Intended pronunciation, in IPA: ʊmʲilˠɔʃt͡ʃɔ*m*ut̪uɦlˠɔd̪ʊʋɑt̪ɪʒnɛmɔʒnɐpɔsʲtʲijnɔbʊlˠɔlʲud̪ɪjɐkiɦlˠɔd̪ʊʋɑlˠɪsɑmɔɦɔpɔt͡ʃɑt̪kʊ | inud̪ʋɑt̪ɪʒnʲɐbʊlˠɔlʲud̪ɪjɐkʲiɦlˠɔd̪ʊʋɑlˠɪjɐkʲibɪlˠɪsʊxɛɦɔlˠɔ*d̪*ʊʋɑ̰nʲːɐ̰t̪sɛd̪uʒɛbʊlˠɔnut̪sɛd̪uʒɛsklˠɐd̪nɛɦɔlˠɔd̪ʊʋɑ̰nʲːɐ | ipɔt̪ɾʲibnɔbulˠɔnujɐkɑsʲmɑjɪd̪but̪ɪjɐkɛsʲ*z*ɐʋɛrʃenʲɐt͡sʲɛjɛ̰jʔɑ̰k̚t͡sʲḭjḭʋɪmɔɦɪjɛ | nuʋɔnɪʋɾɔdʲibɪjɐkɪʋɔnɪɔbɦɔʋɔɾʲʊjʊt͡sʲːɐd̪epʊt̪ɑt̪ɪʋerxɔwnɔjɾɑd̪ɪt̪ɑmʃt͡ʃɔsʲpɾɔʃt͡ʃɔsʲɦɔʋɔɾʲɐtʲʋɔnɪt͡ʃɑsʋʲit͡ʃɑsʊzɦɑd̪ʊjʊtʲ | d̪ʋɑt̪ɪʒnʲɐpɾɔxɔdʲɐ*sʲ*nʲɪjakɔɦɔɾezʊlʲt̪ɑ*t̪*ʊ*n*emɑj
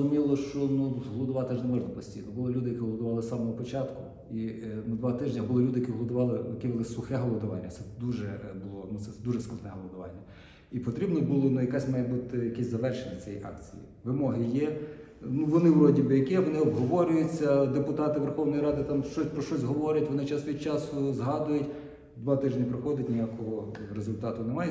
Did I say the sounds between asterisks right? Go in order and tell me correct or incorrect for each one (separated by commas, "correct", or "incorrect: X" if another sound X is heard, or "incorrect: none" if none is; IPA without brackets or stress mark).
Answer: incorrect: n, correct, correct, incorrect: tʲ, correct, correct